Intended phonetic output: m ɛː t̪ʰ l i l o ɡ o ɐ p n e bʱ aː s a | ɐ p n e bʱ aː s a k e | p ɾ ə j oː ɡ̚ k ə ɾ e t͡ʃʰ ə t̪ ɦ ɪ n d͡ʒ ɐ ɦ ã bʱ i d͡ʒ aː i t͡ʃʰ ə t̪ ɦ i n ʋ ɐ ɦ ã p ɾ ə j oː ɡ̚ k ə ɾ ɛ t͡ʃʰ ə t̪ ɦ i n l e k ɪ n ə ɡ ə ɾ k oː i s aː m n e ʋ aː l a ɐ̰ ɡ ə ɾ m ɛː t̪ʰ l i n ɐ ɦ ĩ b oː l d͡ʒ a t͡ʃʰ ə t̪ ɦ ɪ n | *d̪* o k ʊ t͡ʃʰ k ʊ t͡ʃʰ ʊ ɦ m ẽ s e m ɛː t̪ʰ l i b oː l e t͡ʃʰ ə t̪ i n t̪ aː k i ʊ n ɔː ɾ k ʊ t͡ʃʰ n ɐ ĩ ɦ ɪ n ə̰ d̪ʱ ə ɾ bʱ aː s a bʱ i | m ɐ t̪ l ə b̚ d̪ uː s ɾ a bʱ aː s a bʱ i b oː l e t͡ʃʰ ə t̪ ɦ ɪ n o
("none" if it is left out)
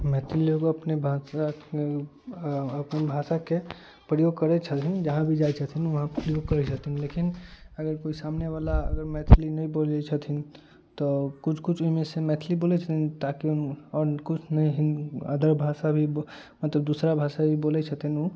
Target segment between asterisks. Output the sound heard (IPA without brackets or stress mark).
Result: t̪